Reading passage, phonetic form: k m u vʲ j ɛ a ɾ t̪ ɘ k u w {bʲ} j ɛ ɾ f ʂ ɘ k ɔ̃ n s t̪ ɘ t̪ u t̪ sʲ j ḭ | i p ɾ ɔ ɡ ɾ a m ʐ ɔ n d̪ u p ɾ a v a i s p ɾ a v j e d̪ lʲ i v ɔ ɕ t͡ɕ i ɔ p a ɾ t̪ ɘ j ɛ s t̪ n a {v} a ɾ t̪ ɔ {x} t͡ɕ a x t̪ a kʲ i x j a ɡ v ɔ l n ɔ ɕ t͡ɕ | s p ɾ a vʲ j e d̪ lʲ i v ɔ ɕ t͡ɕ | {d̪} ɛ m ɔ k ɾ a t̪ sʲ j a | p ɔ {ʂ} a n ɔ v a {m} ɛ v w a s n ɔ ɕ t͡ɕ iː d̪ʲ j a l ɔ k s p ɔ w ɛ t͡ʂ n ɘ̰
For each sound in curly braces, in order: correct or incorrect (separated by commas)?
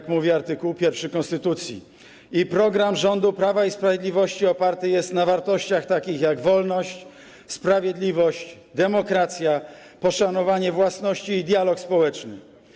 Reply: incorrect, correct, incorrect, correct, correct, incorrect